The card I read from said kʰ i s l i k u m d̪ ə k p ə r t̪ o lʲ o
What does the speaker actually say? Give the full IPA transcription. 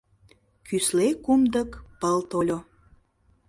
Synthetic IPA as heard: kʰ y s l e k u m d̪ ə k p ə l t̪ o lʲ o